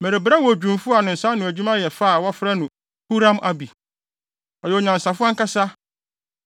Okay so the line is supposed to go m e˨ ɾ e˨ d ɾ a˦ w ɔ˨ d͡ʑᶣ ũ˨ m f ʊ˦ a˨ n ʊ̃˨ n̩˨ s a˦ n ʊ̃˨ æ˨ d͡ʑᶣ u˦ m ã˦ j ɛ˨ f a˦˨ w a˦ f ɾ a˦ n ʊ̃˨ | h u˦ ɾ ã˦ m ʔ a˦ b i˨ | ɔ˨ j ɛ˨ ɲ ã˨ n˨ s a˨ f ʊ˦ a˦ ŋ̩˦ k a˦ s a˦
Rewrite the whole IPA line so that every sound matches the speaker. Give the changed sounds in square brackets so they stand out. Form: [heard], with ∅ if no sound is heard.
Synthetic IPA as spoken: m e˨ ɾ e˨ [b] ɾ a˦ w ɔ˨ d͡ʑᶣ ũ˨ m f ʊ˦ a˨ n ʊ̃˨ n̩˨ s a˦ n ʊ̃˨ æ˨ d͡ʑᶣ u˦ m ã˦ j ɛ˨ f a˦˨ w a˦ f ɾ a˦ n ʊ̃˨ | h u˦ ɾ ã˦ m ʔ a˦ b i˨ | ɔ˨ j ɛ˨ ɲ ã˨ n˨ s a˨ f ʊ˦ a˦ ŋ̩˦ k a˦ s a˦